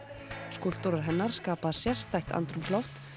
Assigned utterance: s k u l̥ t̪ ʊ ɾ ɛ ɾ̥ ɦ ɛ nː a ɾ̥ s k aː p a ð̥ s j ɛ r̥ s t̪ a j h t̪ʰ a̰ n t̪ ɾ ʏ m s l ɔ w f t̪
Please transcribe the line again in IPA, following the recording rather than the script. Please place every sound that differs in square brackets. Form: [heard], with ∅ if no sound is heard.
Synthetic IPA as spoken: s k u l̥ t̪ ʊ ɾ [a] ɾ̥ ɦ ɛ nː a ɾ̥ s k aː p a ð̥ s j ɛ r̥ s t̪ a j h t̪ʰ a̰ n t̪ ɾ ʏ m s l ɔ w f t̪